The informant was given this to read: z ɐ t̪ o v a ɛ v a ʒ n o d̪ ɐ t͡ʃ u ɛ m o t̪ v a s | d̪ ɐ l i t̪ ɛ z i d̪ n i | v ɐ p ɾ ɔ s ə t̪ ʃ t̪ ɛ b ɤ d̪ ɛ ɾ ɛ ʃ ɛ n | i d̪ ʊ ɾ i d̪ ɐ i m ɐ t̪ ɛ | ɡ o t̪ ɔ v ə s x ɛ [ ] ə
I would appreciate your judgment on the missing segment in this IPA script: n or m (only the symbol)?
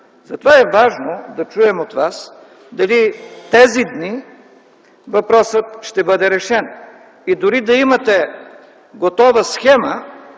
m